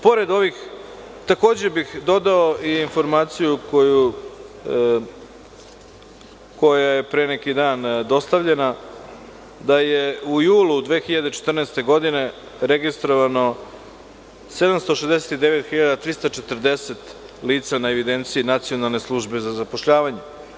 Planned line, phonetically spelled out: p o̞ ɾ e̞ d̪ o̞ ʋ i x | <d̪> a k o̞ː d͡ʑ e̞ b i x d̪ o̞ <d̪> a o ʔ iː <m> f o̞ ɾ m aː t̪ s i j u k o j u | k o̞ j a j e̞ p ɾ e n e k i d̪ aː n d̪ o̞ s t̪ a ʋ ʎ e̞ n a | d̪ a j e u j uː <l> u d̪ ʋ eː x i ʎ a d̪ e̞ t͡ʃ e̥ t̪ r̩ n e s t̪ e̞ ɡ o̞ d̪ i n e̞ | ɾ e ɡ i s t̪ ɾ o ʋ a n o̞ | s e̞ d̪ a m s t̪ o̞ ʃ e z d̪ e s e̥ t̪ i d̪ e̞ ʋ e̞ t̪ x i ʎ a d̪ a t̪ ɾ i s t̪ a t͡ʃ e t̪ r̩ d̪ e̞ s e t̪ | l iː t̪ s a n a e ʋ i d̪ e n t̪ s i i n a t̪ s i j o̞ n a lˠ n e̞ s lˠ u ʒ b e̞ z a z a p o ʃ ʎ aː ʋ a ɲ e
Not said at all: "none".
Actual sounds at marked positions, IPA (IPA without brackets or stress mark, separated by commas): t̪, d̪, n, l